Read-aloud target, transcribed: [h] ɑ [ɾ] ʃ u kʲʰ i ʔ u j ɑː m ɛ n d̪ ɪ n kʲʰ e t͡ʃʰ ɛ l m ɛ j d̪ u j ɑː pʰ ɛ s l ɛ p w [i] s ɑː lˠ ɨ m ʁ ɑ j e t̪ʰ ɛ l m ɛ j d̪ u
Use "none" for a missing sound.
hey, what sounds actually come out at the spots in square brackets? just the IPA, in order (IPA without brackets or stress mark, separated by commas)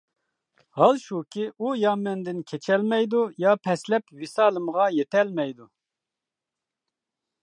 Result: h, l, i